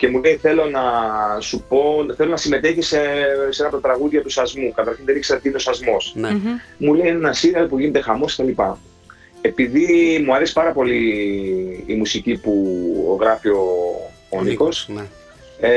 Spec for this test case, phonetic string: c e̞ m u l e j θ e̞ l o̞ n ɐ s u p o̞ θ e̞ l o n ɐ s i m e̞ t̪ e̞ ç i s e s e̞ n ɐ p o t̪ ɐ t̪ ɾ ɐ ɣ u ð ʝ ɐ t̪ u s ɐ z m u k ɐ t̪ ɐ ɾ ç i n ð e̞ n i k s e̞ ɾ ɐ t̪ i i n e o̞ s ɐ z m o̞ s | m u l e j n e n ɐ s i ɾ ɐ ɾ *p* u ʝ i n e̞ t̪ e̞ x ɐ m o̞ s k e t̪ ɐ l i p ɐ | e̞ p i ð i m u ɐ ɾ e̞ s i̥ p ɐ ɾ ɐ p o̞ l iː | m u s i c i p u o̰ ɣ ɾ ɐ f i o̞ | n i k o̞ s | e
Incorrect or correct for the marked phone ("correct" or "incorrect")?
correct